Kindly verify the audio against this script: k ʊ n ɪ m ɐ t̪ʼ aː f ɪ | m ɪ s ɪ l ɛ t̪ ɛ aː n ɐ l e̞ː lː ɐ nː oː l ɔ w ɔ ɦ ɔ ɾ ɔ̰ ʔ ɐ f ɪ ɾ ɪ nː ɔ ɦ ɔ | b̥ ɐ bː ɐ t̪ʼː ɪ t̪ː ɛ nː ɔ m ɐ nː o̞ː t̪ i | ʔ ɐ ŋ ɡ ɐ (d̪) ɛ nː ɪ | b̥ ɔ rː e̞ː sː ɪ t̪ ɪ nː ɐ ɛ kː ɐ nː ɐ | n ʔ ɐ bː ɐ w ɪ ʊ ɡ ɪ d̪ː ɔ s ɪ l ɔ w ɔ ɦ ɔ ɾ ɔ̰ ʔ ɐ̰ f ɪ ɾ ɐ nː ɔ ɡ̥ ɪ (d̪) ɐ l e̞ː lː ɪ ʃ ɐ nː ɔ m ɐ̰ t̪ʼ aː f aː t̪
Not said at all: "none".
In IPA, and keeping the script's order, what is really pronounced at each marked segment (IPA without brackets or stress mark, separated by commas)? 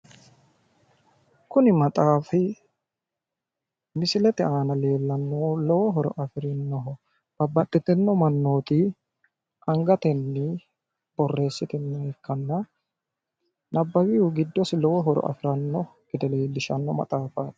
t̪, d̪